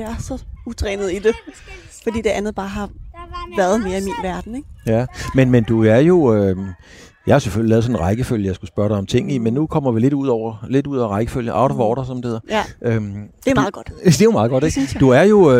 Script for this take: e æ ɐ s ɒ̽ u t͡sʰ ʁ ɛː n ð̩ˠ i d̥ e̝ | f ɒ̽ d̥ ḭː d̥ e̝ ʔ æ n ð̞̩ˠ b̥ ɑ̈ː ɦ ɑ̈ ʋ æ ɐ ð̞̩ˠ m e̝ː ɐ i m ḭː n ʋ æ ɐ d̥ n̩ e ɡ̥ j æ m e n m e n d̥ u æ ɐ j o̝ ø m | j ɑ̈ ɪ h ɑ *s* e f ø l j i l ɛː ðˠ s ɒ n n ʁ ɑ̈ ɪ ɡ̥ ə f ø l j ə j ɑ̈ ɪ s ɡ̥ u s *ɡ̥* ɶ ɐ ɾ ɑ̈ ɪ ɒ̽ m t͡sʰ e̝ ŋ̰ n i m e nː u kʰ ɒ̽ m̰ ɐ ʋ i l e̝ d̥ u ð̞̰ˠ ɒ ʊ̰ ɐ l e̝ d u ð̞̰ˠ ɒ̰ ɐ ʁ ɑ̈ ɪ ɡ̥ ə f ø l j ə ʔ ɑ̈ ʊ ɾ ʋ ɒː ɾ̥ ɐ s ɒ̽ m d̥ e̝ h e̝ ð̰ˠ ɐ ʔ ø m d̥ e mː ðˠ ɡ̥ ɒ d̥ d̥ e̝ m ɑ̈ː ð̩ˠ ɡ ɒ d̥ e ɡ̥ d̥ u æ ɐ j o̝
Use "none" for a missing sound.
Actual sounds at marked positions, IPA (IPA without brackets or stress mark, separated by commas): s, b̥